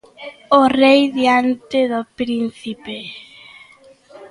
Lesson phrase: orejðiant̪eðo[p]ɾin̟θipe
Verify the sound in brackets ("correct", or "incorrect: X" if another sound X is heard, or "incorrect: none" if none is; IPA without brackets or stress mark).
correct